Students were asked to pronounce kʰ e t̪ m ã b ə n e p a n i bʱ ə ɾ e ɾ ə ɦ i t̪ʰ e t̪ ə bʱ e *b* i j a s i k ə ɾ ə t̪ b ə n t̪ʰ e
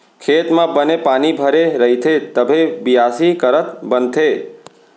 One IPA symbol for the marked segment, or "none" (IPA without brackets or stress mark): b